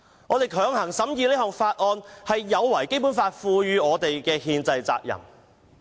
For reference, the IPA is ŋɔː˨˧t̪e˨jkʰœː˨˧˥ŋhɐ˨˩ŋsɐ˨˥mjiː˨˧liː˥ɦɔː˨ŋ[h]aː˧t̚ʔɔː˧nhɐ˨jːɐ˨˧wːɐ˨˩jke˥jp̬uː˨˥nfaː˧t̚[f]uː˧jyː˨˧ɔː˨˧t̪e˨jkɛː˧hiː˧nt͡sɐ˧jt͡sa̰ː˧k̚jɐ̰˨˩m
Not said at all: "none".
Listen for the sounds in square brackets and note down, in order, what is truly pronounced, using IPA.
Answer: f, f

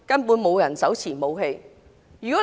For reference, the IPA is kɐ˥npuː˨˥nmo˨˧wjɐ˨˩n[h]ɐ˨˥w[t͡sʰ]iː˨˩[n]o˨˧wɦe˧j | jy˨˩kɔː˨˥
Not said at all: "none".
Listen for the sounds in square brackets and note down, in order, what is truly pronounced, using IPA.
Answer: s, t͡sʰ, m

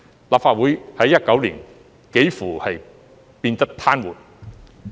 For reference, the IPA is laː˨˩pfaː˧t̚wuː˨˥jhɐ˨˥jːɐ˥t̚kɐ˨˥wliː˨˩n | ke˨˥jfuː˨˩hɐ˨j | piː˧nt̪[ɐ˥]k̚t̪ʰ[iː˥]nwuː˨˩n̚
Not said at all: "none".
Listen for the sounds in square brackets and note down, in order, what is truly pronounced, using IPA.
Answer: ɐ˥, aː˥

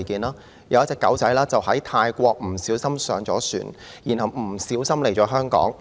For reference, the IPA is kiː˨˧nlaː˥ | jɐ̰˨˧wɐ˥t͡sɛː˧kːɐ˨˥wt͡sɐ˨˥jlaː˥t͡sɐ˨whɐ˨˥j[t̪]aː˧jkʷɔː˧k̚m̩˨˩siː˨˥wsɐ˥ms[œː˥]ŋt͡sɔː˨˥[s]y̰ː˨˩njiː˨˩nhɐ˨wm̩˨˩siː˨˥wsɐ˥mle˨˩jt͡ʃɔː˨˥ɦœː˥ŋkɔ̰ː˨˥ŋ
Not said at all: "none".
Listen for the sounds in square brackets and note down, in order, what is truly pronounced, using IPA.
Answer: t̪ʰ, œː˨˧, s

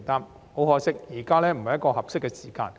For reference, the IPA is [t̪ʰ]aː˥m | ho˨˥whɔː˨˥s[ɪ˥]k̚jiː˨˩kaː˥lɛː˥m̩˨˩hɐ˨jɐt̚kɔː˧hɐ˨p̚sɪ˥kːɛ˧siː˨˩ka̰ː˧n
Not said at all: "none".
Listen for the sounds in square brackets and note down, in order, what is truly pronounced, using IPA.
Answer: t̪, ɪ˥

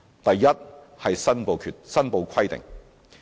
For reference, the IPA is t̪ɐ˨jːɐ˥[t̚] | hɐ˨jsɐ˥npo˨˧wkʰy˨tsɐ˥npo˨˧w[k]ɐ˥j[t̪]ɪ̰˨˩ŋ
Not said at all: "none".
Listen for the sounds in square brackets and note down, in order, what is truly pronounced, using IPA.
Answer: t̚, kʰ, t̪

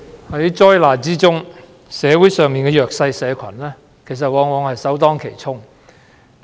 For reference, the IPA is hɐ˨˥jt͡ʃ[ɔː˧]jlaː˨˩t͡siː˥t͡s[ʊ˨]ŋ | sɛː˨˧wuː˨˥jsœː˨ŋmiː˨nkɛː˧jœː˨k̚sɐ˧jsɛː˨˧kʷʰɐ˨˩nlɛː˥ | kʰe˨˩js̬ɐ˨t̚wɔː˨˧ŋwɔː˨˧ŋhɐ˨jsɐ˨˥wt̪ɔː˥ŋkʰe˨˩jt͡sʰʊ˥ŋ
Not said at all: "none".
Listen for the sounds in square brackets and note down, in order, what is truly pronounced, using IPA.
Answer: ɔː˥, ʊ˥

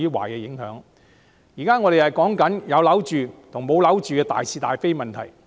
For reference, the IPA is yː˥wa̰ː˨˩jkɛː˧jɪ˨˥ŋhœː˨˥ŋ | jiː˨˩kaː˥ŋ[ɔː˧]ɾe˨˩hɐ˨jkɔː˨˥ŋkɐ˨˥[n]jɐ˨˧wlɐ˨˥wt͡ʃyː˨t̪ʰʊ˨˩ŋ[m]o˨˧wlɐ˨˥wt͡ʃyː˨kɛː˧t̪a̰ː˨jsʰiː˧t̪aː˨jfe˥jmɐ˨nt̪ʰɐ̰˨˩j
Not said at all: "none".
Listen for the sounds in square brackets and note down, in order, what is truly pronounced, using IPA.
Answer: ɔː˧, n, m

